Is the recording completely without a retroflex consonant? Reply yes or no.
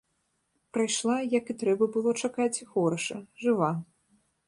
no